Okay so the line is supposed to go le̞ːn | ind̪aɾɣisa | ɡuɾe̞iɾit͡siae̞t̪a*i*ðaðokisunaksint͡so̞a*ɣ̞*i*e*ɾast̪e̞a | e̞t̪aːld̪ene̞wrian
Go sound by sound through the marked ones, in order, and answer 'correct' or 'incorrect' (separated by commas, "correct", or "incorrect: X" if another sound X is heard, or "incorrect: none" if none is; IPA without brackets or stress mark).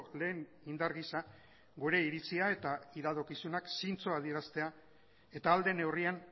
correct, incorrect: ð̞, correct